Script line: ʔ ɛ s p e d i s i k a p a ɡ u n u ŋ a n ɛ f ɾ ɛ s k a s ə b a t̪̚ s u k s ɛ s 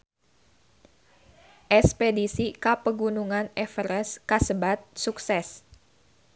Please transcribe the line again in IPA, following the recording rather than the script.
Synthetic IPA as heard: ʔ ɛ s p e d i s i k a p ə ɡ u n u ŋ a n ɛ f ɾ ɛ s k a s ə b a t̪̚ s u k s ɛ s